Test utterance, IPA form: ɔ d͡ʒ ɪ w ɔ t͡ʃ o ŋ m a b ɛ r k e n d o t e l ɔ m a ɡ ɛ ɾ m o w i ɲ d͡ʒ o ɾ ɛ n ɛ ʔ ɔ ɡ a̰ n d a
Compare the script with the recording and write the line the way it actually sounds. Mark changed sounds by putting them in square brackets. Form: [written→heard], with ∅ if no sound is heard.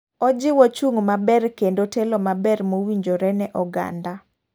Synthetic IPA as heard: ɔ d͡ʒ ɪ w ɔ t͡ʃ [o→u] ŋ m a b ɛ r k e n d o t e l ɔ m a [ɡ→b] ɛ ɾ m o w i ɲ d͡ʒ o ɾ ɛ n ɛ ʔ ɔ ɡ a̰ n d a